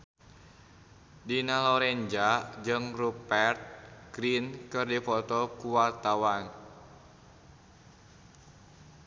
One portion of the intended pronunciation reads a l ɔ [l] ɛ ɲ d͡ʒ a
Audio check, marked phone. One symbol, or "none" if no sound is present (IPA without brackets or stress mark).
ɾ